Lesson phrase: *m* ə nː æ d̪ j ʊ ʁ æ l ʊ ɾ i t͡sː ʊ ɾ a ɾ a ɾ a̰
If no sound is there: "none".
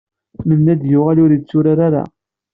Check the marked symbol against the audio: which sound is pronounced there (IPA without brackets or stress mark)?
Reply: m